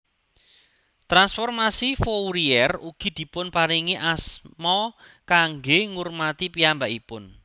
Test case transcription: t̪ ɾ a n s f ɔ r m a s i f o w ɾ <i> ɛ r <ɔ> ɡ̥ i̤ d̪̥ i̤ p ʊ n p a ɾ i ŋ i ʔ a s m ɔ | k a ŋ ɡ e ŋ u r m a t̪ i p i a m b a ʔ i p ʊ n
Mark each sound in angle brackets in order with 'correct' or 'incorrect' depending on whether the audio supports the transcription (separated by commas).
correct, incorrect